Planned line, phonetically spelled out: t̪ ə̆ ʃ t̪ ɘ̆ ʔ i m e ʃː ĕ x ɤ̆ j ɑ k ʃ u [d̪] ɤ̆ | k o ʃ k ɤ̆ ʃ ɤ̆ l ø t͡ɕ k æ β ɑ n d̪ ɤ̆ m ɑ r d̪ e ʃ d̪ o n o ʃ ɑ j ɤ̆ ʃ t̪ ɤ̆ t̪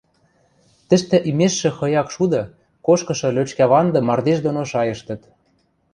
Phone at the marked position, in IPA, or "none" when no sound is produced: d̪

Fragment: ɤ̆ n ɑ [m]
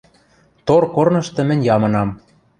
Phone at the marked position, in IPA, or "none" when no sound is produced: m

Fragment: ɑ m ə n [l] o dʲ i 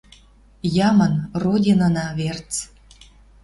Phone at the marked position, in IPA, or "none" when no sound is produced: r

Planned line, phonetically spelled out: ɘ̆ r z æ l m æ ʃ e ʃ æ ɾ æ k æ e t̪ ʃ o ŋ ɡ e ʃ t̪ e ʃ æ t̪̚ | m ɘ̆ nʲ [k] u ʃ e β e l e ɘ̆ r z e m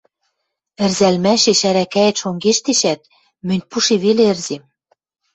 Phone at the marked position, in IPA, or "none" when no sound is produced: p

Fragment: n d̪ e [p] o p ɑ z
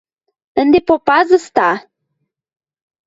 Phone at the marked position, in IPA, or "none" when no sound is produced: p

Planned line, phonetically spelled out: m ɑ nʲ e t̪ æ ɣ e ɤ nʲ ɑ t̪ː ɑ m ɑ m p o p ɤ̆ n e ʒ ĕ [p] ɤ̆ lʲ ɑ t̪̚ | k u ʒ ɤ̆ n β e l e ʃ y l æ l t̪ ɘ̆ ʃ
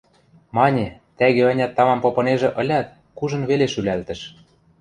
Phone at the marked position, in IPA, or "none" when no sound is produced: ʔ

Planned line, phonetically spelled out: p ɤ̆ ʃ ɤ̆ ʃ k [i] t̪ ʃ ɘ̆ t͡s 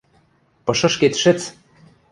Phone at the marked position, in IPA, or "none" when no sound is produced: e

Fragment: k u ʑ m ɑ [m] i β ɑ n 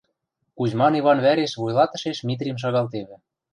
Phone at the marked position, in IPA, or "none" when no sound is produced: n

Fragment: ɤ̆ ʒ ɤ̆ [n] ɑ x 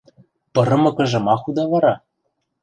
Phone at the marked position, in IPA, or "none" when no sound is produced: m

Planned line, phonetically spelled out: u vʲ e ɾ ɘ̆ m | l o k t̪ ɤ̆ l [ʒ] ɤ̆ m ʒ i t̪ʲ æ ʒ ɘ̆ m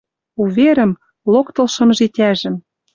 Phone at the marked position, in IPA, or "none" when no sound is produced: ʃ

